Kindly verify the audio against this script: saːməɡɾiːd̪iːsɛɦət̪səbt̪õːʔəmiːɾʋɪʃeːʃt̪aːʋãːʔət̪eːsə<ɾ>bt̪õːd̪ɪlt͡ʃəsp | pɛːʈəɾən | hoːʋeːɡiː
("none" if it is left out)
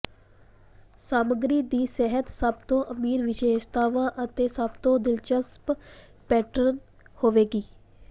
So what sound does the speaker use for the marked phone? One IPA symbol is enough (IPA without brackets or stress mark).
none